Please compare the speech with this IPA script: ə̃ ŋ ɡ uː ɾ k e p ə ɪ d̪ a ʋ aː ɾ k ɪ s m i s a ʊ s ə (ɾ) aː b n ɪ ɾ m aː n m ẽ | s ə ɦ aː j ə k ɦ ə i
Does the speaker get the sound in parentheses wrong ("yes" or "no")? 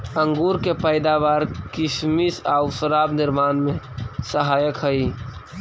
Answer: no